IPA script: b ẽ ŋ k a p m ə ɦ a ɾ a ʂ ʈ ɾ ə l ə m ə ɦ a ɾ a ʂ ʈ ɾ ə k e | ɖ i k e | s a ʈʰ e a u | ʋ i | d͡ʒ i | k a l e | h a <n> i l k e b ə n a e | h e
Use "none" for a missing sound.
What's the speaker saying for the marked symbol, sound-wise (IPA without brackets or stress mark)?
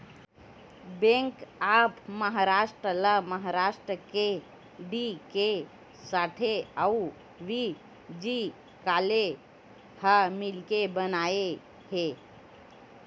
m